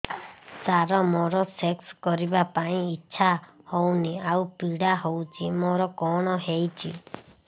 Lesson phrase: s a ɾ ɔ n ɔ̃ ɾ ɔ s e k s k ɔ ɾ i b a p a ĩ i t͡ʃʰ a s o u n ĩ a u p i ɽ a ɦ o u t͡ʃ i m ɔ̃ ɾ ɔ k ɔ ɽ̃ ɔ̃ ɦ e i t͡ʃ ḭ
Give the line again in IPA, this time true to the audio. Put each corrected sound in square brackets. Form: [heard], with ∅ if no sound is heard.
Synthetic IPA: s a ɾ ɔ [m] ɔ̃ ɾ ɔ s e k s k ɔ ɾ i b a p a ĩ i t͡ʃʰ a [h] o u n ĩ a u p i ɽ a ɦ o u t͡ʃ i m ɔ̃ ɾ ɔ k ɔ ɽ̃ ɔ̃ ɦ e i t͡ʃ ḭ